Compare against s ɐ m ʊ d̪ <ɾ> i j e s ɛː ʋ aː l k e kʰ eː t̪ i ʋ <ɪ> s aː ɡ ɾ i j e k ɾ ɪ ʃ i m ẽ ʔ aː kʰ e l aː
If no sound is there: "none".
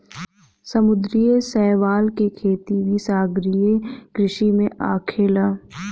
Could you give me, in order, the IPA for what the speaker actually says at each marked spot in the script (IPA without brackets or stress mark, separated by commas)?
ɾ, i